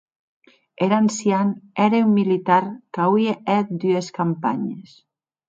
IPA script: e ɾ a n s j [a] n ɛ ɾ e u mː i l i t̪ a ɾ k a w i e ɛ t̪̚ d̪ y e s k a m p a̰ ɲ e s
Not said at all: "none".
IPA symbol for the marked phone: a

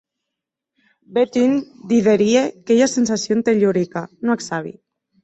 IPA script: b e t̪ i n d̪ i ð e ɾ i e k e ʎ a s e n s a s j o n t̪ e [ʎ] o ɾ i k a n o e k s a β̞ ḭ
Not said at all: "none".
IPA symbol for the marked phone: ʎ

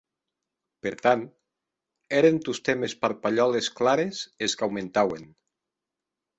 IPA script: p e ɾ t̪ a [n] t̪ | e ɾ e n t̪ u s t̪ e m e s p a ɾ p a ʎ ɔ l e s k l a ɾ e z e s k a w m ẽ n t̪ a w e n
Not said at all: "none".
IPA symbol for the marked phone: n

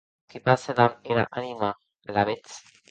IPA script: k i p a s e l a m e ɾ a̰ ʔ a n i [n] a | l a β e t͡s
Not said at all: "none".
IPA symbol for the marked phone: m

